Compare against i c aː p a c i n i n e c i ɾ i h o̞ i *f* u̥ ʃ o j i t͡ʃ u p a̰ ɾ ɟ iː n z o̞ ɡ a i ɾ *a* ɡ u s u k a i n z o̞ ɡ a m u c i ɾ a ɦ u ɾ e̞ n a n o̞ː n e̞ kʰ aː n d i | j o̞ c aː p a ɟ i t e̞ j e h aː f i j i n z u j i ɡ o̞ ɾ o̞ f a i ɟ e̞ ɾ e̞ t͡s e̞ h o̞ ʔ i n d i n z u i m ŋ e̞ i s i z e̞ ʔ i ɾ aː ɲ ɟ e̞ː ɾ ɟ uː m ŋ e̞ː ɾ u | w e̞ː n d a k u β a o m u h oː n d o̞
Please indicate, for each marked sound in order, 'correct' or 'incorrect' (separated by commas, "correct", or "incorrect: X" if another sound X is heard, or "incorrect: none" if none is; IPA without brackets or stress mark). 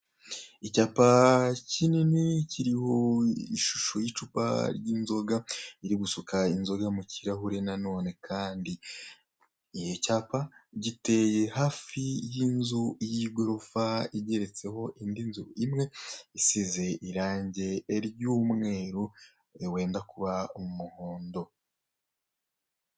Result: incorrect: ʃ, incorrect: i